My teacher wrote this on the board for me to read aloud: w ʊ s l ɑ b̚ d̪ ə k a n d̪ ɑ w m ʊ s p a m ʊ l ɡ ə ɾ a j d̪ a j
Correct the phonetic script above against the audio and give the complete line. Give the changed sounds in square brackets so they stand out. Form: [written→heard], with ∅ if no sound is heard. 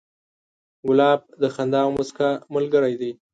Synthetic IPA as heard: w ʊ [s→∅] l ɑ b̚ d̪ ə [k→x] a n d̪ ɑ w m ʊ s [p→k] a m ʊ l ɡ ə ɾ a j d̪ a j